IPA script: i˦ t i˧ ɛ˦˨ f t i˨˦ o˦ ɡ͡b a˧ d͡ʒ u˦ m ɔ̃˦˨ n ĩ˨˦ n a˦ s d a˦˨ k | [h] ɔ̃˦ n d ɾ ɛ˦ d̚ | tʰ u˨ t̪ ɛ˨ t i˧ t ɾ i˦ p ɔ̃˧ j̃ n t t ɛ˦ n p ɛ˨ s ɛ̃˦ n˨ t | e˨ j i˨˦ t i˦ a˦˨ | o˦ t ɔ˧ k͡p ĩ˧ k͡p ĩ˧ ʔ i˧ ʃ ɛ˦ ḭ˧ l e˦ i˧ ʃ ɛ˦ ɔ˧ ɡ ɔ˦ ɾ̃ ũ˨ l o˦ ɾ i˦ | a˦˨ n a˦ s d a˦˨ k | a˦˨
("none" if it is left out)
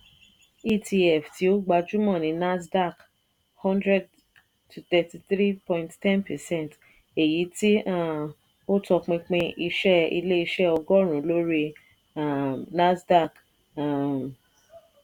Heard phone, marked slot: h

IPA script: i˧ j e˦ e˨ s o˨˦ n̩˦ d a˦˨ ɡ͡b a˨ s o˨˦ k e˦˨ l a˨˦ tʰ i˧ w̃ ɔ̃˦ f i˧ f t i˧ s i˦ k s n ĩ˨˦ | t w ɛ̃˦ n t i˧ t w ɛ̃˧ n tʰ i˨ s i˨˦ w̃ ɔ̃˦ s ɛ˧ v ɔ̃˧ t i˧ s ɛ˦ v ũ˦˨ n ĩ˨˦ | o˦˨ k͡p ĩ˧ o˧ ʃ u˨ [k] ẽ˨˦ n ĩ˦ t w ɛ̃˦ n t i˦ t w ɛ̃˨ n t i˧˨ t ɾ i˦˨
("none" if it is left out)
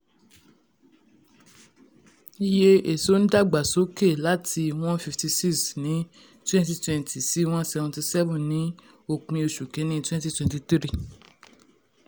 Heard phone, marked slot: k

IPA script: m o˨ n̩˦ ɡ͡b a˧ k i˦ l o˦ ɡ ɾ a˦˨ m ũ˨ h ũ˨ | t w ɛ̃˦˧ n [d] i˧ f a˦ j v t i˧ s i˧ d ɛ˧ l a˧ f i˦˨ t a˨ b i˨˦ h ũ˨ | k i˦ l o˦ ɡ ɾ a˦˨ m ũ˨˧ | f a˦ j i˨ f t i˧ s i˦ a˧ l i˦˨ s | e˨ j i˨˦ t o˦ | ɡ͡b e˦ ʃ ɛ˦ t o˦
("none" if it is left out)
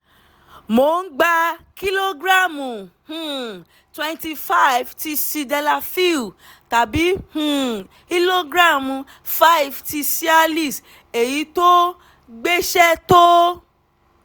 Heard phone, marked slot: t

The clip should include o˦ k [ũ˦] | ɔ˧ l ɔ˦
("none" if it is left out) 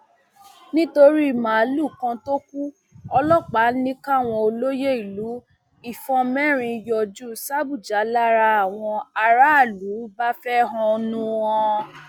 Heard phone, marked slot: u˦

